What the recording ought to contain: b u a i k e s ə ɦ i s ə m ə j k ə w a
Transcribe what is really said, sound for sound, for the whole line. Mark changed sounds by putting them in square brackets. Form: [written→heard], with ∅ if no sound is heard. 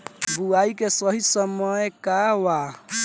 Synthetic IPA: b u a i k e s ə ɦ i s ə m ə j k [ə→a] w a